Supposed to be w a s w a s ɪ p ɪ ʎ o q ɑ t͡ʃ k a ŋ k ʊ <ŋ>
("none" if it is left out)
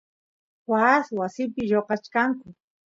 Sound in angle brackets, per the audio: none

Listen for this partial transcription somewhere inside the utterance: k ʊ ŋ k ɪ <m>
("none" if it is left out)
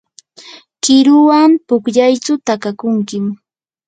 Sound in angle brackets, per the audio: m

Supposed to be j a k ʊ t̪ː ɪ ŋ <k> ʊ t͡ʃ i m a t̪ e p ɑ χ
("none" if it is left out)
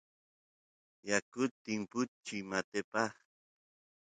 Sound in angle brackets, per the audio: p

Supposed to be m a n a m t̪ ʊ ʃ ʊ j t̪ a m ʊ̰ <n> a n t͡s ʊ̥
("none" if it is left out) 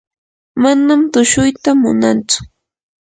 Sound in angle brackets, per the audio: n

